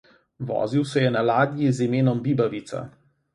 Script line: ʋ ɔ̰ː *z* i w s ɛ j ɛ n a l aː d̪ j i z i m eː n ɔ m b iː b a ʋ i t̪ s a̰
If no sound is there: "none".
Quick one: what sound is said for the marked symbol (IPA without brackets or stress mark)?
z